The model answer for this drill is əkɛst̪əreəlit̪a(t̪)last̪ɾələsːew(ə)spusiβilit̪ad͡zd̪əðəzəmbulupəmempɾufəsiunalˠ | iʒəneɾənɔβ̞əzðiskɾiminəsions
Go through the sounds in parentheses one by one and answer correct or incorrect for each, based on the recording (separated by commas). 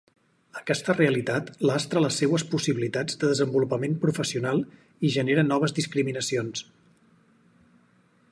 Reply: correct, correct